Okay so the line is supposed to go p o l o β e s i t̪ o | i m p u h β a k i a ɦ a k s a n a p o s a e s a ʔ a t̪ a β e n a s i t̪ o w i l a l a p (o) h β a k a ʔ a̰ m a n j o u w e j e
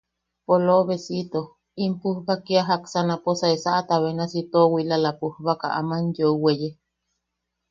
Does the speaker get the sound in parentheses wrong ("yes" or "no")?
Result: yes